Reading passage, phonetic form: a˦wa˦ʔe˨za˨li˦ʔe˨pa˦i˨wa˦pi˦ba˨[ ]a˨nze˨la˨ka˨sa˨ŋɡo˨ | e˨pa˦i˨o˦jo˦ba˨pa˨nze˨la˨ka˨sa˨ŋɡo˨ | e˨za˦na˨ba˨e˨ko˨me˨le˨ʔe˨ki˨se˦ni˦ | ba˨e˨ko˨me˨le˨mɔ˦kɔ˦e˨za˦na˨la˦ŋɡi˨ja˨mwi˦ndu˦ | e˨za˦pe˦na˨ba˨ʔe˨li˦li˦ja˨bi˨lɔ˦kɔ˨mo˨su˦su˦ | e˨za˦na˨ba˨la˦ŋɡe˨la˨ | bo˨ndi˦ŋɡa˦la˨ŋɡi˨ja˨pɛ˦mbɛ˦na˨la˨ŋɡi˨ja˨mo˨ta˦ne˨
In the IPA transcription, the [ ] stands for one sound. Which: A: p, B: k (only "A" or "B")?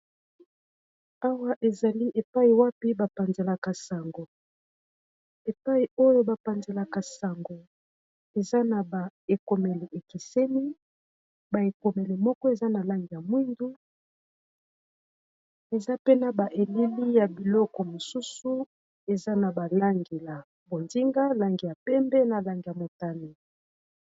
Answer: A